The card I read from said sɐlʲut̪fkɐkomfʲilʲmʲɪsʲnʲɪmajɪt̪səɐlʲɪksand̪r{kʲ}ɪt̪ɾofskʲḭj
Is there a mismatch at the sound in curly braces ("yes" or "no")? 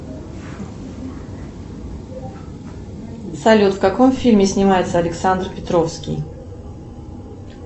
yes